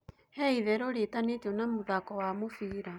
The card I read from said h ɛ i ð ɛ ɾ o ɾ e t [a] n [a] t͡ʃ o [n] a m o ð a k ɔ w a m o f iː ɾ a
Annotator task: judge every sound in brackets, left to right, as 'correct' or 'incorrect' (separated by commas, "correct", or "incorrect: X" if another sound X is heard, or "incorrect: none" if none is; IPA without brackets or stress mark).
correct, incorrect: e, correct